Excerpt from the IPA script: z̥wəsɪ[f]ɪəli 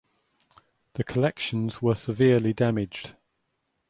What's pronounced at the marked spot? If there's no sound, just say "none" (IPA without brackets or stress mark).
v